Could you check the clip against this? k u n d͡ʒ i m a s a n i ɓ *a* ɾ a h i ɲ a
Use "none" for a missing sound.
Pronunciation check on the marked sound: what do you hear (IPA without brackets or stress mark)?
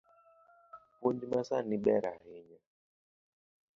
ɛ